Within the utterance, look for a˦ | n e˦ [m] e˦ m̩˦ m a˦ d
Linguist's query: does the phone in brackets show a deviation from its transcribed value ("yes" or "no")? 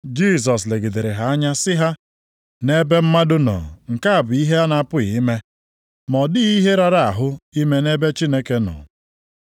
yes